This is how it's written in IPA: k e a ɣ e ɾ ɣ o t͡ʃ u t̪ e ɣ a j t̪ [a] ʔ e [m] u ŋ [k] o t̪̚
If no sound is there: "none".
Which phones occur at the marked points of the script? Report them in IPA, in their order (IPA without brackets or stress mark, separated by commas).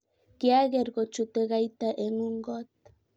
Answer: a, ŋ, ɡ